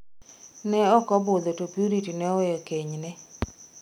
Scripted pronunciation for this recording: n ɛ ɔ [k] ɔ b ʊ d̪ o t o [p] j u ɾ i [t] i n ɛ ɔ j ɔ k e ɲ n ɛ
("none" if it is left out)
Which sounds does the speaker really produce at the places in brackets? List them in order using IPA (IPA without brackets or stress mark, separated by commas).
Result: k, p, t